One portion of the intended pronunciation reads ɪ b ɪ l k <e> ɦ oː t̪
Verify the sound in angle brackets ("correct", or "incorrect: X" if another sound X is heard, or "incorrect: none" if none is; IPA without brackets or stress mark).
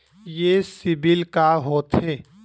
incorrect: a